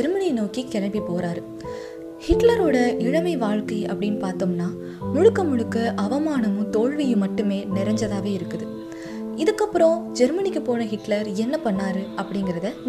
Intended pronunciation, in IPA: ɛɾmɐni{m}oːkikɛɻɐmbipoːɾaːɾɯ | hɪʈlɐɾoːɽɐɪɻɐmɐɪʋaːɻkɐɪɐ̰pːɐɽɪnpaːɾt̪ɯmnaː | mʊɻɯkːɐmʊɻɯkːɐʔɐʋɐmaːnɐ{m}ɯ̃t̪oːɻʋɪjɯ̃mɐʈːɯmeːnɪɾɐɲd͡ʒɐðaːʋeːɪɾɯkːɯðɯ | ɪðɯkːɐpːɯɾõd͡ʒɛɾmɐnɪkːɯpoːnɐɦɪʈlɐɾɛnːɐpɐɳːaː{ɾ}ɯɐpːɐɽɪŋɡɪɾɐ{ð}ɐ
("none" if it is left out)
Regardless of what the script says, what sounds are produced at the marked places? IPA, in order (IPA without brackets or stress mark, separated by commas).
n, m, ɾ, ð